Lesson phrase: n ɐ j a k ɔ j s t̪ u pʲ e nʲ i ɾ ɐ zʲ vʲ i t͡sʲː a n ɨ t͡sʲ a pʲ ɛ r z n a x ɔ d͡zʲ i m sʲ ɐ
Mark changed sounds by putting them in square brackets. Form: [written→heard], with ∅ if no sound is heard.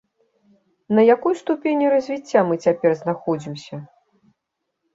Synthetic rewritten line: n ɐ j a k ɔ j s t̪ u pʲ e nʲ i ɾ ɐ zʲ vʲ i t͡sʲː a [n→m] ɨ t͡sʲ a pʲ ɛ r z n a x ɔ d͡zʲ i m sʲ ɐ

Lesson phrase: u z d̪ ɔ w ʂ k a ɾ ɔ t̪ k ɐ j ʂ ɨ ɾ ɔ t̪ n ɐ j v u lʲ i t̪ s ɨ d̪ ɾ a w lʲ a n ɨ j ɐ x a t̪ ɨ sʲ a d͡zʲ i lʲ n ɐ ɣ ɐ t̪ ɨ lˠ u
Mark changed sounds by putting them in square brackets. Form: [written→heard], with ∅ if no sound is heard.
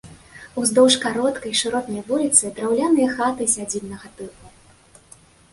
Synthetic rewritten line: u z d̪ ɔ w ʂ k a ɾ ɔ t̪ k ɐ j ʂ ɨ ɾ ɔ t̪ n ɐ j v u lʲ i t̪ s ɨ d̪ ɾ a w lʲ a n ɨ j ɐ x a t̪ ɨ sʲ a d͡zʲ i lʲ n ɐ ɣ ɐ t̪ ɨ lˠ u

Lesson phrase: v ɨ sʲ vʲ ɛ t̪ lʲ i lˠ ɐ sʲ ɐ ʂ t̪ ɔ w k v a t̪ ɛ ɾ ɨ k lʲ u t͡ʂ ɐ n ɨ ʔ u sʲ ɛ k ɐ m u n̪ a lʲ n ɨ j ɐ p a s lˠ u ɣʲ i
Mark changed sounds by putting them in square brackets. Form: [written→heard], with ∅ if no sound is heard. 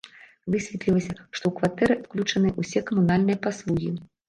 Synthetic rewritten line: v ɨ sʲ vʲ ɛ t̪ lʲ i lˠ ɐ sʲ ɐ ʂ t̪ ɔ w k v a t̪ ɛ ɾ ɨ k lʲ u t͡ʂ ɐ n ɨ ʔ u sʲ ɛ k ɐ m u n̪ a lʲ n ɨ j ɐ p a s lˠ u ɣʲ i

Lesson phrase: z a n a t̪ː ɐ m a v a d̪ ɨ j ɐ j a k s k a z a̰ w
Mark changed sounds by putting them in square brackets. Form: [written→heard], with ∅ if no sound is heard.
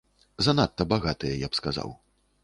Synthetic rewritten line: z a n a t̪ː ɐ [m→b] a [v→ɣ] a [d̪→t̪] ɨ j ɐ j a [k→p] s k a z a̰ w

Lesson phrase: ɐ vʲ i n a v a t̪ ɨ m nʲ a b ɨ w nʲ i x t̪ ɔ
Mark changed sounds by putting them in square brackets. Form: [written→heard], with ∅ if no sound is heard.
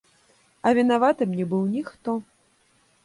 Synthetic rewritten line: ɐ vʲ i n a v a t̪ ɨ m nʲ [a→ɛ] b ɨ w nʲ i x t̪ ɔ

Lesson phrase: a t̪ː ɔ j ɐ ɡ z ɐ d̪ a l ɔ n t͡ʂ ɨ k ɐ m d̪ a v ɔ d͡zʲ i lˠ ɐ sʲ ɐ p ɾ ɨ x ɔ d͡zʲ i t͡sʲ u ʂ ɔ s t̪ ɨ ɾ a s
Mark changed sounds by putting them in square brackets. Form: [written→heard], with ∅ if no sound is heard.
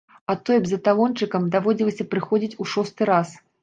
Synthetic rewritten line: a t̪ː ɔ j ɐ [ɡ→b] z ɐ [d̪→t̪] a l ɔ n t͡ʂ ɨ k ɐ m d̪ a v ɔ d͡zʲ i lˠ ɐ sʲ ɐ p ɾ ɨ x ɔ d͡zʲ i t͡sʲ u ʂ ɔ s t̪ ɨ ɾ a s

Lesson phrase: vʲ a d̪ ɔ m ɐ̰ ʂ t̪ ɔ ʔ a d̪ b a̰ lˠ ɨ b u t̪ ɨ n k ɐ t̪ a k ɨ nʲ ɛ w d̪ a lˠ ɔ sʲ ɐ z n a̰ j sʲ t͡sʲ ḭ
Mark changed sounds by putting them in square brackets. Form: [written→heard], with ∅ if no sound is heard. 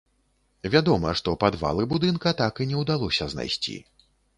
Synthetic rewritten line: vʲ a d̪ ɔ m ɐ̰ ʂ t̪ ɔ [ʔ→p] a d̪ [b→v] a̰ lˠ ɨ b u [t̪→d̪] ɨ n k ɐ t̪ a k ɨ nʲ ɛ w d̪ a lˠ ɔ sʲ ɐ z n a̰ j sʲ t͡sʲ ḭ

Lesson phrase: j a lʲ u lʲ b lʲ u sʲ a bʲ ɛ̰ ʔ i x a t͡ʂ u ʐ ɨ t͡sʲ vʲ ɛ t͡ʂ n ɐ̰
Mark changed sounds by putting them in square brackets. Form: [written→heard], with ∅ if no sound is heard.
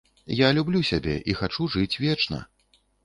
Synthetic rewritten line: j a lʲ u [lʲ→∅] b lʲ u sʲ a bʲ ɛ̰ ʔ i x a t͡ʂ u ʐ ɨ t͡sʲ vʲ ɛ t͡ʂ n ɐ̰

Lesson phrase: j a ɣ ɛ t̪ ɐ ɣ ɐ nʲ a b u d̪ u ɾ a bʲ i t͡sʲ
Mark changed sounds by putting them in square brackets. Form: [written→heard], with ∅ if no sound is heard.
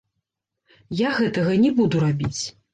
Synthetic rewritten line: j a ɣ ɛ t̪ ɐ ɣ ɐ nʲ [a→ɛ] b u d̪ u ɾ a bʲ i t͡sʲ

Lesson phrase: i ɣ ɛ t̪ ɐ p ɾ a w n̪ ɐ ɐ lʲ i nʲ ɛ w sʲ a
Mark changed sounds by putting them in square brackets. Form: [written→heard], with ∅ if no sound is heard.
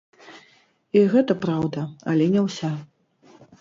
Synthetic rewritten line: i ɣ ɛ t̪ ɐ p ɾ a w [n̪→d̪] ɐ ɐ lʲ [i→ɛ] nʲ ɛ w sʲ a

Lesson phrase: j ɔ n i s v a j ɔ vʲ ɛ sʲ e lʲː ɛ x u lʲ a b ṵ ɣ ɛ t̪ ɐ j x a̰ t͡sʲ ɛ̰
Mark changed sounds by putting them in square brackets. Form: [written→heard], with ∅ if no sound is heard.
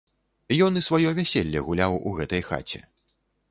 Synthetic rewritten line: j ɔ n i s v a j ɔ vʲ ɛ sʲ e lʲː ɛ [x→ɣ] u lʲ a [b→w] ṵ ɣ ɛ t̪ ɐ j x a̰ t͡sʲ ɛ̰

